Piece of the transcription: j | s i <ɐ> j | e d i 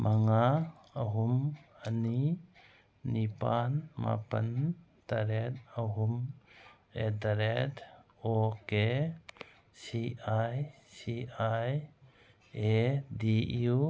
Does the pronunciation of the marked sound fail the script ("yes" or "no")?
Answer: yes